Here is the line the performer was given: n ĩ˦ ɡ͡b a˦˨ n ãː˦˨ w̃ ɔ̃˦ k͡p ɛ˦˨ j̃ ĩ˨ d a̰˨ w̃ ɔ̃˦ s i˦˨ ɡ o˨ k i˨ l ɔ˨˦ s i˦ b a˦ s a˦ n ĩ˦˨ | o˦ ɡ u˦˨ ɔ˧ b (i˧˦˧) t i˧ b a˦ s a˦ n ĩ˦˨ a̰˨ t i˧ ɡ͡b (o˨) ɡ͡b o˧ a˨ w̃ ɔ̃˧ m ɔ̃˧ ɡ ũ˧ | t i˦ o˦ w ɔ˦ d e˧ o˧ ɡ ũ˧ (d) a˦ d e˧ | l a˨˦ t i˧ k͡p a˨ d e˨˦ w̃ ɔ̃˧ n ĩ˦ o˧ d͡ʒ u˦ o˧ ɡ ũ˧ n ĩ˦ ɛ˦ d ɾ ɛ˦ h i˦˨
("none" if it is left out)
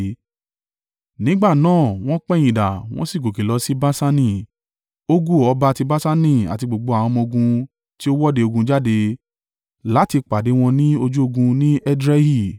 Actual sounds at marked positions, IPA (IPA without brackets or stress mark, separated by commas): a˧˦˧, o˨, d͡ʒ